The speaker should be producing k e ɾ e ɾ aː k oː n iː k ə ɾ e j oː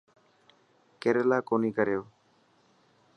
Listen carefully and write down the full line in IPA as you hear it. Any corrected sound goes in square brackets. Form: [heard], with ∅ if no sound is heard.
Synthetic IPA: k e ɾ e [l] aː k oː n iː k ə ɾ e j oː